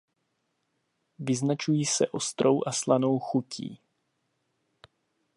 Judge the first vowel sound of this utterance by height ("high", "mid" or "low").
high